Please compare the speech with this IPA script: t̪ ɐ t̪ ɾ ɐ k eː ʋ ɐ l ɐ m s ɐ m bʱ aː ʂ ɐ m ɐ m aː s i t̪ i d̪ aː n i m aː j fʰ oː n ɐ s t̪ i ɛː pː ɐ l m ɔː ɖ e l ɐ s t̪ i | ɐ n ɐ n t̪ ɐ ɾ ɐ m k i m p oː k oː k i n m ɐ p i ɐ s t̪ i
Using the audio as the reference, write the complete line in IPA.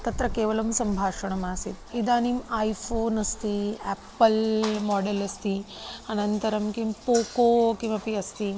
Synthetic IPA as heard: t̪ ɐ t̪ ɾ ɐ k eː ʋ ɐ l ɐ m s ɐ m bʱ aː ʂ ɐ ɳ ɐ m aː s i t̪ i d̪ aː n i m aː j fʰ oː n ɐ s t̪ i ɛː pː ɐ l m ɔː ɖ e l ɐ s t̪ i | ɐ n ɐ n t̪ ɐ ɾ ɐ m k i m p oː k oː k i m ɐ p i ɐ s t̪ i